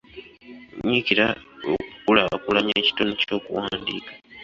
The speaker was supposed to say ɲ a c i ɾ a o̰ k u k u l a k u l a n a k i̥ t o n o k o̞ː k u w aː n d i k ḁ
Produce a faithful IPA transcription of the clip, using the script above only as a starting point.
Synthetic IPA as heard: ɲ i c i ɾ a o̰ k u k u l a k u l a ɲ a c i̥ t o n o c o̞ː k u w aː n d i k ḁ